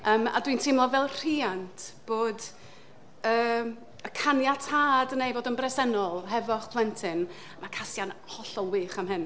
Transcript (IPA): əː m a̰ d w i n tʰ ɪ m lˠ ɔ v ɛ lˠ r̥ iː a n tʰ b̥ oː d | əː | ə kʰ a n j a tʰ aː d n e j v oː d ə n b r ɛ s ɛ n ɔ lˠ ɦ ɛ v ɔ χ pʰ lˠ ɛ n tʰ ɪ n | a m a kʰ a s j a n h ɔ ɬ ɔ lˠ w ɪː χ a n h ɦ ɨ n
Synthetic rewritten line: əː m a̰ d w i n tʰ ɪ m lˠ ɔ v ɛ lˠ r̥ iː a n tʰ b̥ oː d | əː | ə kʰ a n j a tʰ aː d n e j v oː d ə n b r ɛ s ɛ n ɔ lˠ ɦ ɛ v ɔ χ pʰ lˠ ɛ n tʰ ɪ n | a m a kʰ a s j a n h ɔ ɬ ɔ lˠ w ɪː χ a m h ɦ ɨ n